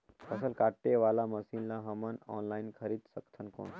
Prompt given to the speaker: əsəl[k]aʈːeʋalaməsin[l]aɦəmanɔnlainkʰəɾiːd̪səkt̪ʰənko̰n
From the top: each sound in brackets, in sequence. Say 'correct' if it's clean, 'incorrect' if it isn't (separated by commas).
correct, correct